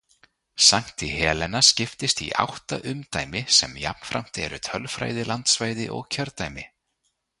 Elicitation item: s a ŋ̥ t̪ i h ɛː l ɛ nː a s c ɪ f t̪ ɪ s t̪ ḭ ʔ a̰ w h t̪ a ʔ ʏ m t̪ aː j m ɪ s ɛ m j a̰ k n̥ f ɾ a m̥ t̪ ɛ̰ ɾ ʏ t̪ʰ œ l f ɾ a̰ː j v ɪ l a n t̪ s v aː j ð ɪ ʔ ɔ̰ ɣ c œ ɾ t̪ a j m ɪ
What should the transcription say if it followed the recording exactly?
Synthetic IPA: s a ŋ̥ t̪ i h ɛː l ɛ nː a s c ɪ f t̪ ɪ s t̪ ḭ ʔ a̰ w h t̪ a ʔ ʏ m t̪ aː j m ɪ s ɛ m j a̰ p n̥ f ɾ a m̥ t̪ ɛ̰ ɾ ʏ t̪ʰ œ l f ɾ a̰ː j ð ɪ l a n t̪ s v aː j ð ɪ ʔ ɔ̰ ɣ cʰ œ ɾ t̪ a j m ɪ